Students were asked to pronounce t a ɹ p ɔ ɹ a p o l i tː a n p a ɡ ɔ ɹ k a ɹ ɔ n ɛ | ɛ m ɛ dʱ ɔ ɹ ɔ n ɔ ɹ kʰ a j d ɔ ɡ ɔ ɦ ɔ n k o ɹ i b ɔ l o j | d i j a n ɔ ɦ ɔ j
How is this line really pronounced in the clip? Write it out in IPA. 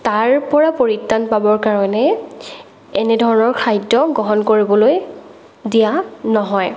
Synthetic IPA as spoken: t a ɹ p ɔ ɹ a p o ɹ i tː a n p a b ɔ ɹ k a ɹ ɔ n ɛ | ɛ n ɛ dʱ ɔ ɹ ɔ n ɔ ɹ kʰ a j d ɔ ɡ ɔ ɦ ɔ n k o ɹ i b ɔ l o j | d i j a n ɔ ɦ ɔ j